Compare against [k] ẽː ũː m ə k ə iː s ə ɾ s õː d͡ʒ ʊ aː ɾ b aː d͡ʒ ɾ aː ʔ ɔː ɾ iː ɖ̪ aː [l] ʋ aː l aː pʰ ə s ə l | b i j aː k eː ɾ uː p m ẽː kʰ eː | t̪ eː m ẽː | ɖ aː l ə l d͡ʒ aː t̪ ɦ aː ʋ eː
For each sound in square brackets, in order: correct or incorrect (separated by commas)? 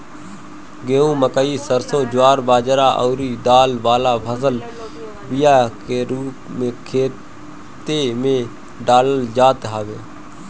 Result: incorrect, correct